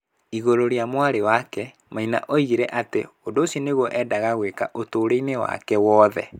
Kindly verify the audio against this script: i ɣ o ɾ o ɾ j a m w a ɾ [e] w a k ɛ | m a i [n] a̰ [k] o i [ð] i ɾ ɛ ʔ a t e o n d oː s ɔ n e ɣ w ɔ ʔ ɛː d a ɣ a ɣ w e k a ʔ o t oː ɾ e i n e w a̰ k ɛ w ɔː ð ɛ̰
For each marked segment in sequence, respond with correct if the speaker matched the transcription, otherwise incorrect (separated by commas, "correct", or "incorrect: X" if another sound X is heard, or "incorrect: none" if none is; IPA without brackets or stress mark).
correct, correct, incorrect: ʔ, incorrect: ɣ